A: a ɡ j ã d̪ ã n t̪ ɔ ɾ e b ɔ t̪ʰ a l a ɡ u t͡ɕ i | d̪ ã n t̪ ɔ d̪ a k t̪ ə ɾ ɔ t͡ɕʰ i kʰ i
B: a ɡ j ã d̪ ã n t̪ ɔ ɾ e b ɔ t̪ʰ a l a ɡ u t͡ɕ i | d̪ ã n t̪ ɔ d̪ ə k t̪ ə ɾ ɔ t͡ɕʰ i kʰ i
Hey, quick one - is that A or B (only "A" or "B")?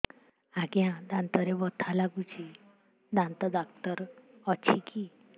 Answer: A